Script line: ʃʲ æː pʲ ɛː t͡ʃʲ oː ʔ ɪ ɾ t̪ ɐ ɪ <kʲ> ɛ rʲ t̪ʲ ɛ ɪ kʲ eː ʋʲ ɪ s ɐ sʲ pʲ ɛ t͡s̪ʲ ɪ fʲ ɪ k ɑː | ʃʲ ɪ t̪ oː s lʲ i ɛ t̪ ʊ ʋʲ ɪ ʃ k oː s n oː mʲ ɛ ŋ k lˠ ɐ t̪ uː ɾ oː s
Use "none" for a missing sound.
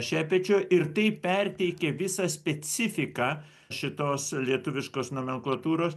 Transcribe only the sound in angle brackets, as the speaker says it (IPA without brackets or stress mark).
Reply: pʲ